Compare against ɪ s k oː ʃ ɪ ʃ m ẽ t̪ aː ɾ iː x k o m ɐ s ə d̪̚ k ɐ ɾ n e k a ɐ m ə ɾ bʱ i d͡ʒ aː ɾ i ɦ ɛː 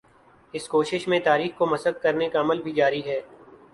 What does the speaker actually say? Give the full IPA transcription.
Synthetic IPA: ɪ s k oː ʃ ɪ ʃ m ẽ t̪ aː ɾ iː x k o m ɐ s ə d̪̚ k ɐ ɾ n e k a ɐ m ə l bʱ i d͡ʒ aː ɾ i ɦ ɛː